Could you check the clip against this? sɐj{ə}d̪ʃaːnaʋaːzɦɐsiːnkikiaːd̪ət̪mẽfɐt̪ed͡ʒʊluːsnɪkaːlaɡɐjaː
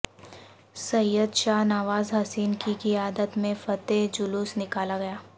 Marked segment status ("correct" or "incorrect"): correct